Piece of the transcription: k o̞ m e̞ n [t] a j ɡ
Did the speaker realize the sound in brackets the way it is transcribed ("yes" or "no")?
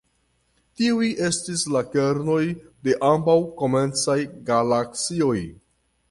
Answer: no